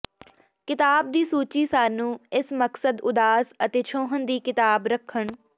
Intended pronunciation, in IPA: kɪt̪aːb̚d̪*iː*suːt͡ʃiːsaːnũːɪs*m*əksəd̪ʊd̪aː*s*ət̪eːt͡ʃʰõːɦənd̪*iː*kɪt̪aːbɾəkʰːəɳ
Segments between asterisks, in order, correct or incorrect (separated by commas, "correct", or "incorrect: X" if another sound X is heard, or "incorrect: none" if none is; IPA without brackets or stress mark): correct, correct, correct, correct